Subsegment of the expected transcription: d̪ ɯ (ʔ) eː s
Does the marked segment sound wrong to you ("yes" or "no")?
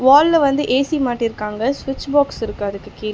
no